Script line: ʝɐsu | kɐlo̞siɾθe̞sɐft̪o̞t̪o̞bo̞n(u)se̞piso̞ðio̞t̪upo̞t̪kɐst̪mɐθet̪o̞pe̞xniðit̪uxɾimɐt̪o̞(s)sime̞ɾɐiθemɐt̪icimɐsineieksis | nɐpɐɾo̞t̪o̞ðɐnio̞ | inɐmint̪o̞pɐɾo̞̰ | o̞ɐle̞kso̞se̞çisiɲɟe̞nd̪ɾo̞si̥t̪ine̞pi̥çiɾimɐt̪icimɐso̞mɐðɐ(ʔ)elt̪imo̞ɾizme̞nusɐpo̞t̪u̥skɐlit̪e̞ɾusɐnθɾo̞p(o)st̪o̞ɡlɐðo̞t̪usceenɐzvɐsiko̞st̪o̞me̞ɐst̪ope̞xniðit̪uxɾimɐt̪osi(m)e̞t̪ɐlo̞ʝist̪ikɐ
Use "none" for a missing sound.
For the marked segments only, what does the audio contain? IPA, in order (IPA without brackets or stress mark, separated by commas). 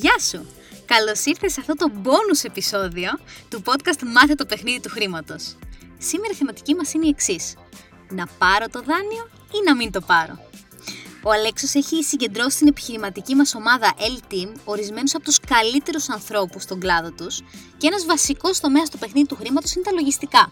u, s, ʔ, u, n